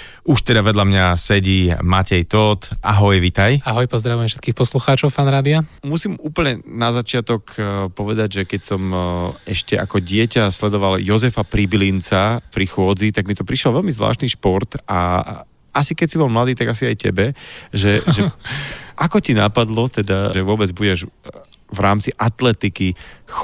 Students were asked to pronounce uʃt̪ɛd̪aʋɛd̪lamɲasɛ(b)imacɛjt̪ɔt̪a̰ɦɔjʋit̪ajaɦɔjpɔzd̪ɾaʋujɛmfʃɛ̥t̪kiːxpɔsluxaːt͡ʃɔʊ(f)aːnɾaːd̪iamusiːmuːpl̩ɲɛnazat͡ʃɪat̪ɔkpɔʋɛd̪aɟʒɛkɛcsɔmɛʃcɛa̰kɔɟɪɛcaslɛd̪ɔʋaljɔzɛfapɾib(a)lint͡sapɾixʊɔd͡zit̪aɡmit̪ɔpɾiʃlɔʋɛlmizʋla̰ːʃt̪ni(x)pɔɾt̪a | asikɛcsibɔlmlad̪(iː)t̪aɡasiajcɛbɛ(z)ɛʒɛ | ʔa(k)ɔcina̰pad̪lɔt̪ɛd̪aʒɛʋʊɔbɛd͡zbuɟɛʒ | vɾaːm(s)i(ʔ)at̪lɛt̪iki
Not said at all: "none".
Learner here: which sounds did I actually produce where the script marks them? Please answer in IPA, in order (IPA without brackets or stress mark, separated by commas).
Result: ɟ, f, i, ʃ, iː, ʒ, k, t͡s, ʔ